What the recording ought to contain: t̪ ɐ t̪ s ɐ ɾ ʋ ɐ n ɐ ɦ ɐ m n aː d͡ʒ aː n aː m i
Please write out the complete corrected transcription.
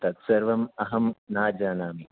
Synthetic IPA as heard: t̪ ɐ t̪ s ɐ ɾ ʋ ɐ m ɐ ɦ ɐ m n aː d͡ʒ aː n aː m i